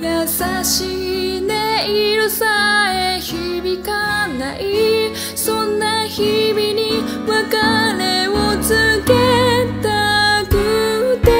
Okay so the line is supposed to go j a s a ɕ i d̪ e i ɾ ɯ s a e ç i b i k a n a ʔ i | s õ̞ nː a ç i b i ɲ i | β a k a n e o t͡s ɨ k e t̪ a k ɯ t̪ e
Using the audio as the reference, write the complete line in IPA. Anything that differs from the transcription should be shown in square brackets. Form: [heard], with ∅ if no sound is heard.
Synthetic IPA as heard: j a s a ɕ i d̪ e i ɾ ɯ s a e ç i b i k a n a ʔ i | s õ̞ nː a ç i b i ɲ i | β a k a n e o t͡s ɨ k e t̪ a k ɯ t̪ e